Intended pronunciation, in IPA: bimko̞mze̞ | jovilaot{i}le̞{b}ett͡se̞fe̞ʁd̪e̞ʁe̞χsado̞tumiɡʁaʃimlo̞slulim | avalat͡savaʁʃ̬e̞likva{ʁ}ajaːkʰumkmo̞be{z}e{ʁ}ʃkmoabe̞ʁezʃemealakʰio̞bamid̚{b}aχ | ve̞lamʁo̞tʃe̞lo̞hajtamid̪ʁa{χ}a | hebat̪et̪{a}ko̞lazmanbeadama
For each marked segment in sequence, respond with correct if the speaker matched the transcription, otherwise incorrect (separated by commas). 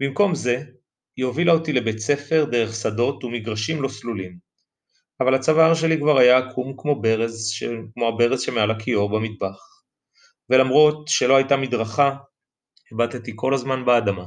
correct, correct, correct, incorrect, incorrect, correct, correct, incorrect